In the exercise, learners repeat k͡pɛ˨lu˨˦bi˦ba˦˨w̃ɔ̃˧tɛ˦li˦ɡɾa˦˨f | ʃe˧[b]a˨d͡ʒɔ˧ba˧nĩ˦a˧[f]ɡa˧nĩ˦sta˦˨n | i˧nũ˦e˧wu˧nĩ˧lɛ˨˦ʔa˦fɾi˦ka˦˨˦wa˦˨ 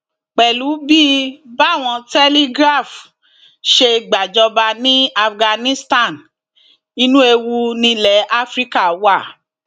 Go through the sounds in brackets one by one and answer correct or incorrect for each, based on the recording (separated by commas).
incorrect, correct